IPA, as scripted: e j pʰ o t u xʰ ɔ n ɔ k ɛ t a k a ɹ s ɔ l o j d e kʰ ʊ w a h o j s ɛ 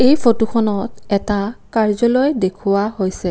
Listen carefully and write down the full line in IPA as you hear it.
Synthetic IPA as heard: e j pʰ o t u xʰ ɔ n ɔ t ɛ t a k a ɹ z ɔ l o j d e kʰ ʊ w a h o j s ɛ